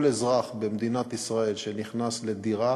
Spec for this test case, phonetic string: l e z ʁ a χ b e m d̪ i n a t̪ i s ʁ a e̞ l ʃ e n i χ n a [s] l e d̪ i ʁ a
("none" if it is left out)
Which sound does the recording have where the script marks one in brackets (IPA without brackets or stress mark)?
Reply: s